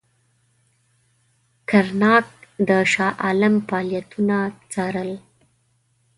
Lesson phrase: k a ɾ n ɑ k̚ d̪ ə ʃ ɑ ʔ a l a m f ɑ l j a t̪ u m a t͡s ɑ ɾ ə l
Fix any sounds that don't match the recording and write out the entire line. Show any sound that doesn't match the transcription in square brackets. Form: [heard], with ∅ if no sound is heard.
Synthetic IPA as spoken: k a ɾ n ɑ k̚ d̪ ə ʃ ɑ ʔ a l a m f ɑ l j a t̪ u [n] a t͡s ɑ ɾ ə l